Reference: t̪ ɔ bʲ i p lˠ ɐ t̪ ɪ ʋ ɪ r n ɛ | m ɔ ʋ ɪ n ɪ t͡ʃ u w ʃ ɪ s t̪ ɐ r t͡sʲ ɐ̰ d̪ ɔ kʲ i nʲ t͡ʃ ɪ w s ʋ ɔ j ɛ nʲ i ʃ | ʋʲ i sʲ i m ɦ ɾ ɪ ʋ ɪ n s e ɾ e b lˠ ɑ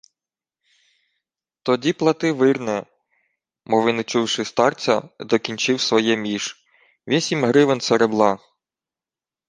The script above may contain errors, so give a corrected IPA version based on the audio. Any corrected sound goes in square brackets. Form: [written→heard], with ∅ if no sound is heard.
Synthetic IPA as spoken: t̪ ɔ [bʲ→dʲ] i p lˠ ɐ t̪ ɪ ʋ ɪ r n ɛ | m ɔ ʋ ɪ n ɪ t͡ʃ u w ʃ ɪ s t̪ [ɐ→ɑ] r t͡sʲ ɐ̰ d̪ ɔ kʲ i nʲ t͡ʃ ɪ w s ʋ ɔ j ɛ [nʲ→mʲ] i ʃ | ʋʲ i sʲ i m ɦ ɾ ɪ ʋ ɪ n s e ɾ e b lˠ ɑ